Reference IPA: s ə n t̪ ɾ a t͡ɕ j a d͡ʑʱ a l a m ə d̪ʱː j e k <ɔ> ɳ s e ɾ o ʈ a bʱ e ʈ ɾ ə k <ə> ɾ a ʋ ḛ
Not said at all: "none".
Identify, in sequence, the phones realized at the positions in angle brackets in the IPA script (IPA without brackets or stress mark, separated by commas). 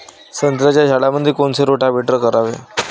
o, ə